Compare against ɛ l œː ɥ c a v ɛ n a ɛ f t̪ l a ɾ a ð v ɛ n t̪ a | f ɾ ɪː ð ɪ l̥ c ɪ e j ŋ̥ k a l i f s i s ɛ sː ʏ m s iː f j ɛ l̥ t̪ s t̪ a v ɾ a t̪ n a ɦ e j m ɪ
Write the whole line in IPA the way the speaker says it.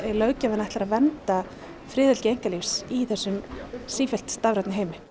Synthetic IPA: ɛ l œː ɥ c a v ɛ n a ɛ h t̪ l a ɾ a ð v ɛ n t̪ a | f ɾ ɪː ð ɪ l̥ c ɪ e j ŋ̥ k a l i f s i θ ɛ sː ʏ m s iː f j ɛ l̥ t̪ s t̪ a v ɾ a t̪ n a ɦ e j m ɪ